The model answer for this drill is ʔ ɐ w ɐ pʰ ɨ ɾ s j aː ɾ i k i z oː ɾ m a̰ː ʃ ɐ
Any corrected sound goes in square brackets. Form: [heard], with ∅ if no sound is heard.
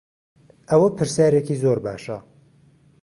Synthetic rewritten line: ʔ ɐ w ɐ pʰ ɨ ɾ s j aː ɾ [e] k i z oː ɾ [b] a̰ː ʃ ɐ